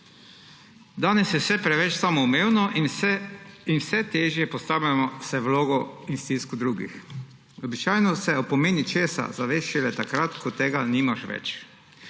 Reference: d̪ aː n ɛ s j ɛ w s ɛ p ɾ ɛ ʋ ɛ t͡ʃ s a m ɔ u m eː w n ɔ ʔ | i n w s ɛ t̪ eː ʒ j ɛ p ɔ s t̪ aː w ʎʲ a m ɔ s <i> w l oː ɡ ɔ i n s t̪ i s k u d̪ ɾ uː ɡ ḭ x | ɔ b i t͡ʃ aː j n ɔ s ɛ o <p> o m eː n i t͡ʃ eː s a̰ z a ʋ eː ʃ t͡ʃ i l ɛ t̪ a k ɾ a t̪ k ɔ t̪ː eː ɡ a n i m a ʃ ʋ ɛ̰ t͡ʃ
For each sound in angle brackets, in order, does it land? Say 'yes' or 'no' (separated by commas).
no, yes